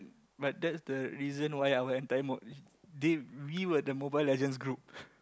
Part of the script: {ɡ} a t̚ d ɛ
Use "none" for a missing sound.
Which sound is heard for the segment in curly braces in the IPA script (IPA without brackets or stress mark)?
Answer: b